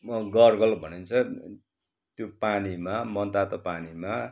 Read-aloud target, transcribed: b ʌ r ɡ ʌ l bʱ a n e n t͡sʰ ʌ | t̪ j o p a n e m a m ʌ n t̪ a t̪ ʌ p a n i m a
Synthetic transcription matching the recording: ɡ ʌ r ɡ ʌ l bʱ ʌ n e n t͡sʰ ʌ | t̪ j o p a n i m a m ʌ n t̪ a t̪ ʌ p a n i m a